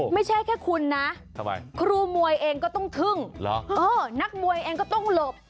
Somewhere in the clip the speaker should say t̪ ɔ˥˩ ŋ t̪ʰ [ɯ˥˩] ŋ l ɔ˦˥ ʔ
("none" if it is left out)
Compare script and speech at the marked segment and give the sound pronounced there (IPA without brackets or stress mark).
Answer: ɯ˥˩